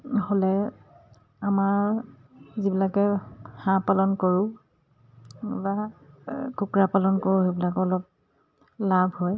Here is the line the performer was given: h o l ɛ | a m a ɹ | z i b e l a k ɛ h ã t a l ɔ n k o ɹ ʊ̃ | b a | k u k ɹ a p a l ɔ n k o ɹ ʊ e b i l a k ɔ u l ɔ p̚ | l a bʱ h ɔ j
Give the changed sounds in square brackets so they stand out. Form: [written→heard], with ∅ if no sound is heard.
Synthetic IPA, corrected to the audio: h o l ɛ | a m a ɹ | z i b [e→i] l a k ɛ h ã [t→p] a l ɔ n k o ɹ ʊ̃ | b a | k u k ɹ a p a l ɔ n k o ɹ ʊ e b i l a k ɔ [u→ɔ] l ɔ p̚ | l a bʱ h ɔ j